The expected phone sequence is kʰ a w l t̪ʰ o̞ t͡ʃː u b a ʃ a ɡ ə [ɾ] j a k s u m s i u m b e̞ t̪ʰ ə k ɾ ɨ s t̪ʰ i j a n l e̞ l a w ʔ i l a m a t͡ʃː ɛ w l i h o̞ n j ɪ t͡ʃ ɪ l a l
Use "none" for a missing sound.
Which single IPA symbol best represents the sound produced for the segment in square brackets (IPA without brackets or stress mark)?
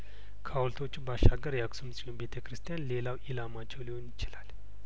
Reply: ɾ